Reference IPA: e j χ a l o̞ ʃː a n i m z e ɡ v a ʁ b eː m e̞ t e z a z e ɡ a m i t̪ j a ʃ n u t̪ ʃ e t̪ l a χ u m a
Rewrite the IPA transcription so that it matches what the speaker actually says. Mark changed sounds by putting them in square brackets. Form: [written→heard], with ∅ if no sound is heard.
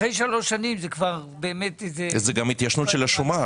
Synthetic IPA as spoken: e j [χ→ʃ] a l o̞ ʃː a n i m z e [ɡ→k] v a ʁ b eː m e̞ t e z [a→e] z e ɡ a m i t̪ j a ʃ n u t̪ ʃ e [t̪→∅] l a [χ→ʃ] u m a